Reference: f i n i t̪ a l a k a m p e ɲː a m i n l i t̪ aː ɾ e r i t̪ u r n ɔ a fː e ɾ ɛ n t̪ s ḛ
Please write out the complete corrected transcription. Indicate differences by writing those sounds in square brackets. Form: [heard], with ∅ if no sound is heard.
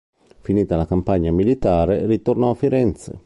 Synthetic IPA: f i n [iː] t̪ a l a k a m p [a] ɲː a m i [∅] l i t̪ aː ɾ e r i t̪ [o] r n ɔ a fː [i] ɾ ɛ n t̪ s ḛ